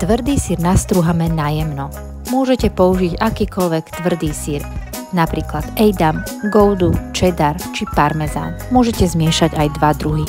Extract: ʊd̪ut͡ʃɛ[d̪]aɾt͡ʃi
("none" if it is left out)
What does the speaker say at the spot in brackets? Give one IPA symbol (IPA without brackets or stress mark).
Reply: d̪